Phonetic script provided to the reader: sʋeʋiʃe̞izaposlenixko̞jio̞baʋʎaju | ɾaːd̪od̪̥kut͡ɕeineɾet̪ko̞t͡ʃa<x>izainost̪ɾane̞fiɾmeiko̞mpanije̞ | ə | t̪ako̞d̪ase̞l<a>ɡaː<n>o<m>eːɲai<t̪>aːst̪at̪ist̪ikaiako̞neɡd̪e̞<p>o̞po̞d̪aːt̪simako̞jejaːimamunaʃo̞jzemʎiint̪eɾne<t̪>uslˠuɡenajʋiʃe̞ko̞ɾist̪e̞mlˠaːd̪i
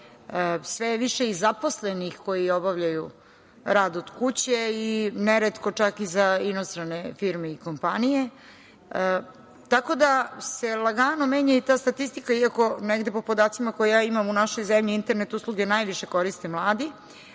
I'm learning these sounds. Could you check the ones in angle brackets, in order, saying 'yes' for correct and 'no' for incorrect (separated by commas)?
no, yes, yes, yes, yes, yes, yes